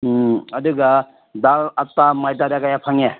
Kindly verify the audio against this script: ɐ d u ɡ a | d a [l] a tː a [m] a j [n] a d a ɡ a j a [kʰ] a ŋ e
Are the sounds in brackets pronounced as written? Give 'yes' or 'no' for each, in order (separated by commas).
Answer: yes, yes, no, no